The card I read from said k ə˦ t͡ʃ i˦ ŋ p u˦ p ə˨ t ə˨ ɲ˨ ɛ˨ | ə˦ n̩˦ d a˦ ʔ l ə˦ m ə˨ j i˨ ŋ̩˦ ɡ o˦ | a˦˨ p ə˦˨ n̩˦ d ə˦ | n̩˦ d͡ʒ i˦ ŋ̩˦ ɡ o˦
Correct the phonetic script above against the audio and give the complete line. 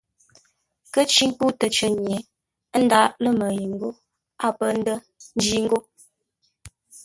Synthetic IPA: k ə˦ t͡ʃ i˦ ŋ p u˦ t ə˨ t͡ʃ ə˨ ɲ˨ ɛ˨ | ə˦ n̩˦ d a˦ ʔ l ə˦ m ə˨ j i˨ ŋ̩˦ ɡ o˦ | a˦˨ p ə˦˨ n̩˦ d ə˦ | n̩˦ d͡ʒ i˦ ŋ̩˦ ɡ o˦